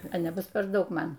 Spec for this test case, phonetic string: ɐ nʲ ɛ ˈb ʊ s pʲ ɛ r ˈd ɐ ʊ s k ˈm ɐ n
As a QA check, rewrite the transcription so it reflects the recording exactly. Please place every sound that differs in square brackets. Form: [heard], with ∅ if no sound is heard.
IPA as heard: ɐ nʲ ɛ ˈb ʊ s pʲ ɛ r ˈd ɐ ʊ [∅] k ˈm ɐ n